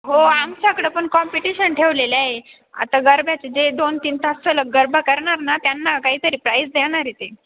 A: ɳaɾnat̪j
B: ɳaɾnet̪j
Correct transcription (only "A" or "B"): A